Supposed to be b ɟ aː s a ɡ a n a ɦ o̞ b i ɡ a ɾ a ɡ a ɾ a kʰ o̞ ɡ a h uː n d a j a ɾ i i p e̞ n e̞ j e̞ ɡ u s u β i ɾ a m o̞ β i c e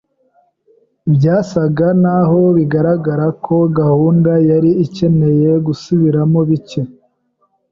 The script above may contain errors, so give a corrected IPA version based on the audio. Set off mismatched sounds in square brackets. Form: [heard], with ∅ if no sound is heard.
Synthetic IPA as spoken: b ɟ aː s a ɡ a n a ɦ o̞ [β] i ɡ a ɾ a ɡ a ɾ a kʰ o̞ ɡ a h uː n d a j a ɾ i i [c] e̞ n e̞ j e̞ ɡ u s u β i ɾ a m o̞ β i c e